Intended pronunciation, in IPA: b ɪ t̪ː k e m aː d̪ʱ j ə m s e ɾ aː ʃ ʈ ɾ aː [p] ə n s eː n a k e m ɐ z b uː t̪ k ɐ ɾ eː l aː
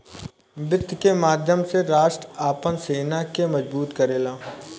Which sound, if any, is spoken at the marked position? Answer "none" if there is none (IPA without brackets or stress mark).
p